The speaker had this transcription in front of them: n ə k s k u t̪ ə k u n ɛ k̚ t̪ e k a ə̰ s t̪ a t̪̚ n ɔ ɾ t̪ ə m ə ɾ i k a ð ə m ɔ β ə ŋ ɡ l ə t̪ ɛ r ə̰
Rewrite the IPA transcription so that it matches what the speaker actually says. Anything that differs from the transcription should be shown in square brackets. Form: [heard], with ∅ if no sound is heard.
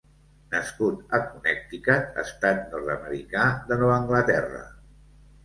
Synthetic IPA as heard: n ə [∅] s k u t̪ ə k u n ɛ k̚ t̪ [i] k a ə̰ s t̪ a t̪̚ n ɔ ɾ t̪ ə m ə ɾ i k a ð ə [n] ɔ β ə ŋ ɡ l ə t̪ ɛ r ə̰